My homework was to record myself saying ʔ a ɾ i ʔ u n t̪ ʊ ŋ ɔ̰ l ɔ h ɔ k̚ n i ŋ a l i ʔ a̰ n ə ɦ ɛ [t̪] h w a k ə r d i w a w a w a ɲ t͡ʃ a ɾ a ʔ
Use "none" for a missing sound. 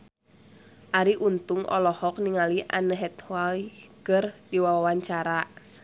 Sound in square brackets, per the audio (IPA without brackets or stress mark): t̪